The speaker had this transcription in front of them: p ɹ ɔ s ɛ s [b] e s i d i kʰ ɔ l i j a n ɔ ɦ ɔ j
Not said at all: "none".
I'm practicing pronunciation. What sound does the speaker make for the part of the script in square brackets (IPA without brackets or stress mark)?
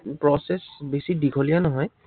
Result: b